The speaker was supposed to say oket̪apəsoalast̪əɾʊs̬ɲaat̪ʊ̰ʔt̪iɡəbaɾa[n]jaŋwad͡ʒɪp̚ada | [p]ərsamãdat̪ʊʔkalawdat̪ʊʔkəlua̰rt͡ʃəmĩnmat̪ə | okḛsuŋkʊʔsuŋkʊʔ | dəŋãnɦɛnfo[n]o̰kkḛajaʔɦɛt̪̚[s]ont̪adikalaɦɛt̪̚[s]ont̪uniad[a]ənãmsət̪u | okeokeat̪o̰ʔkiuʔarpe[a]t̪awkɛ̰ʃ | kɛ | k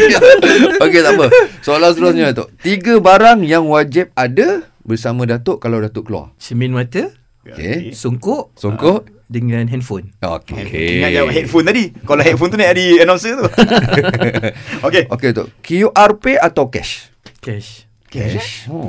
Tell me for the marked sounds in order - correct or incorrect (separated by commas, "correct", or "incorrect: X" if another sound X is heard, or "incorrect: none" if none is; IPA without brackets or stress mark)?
incorrect: ŋ, incorrect: b, correct, incorrect: f, incorrect: f, incorrect: i, correct